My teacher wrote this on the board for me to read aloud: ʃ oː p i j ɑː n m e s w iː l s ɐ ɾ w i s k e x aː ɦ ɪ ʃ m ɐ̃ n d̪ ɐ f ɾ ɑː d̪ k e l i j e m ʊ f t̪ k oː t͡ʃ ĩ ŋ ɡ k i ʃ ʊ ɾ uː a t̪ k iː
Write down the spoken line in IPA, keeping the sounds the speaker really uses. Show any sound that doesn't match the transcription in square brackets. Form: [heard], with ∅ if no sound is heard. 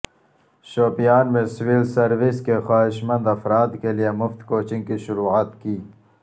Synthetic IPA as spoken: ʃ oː p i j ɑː n m e s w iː l s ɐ ɾ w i s k e x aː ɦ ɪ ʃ m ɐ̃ n d̪ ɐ f ɾ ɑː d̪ k e l i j e m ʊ f t̪ k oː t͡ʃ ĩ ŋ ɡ k i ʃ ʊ ɾ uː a t̪ k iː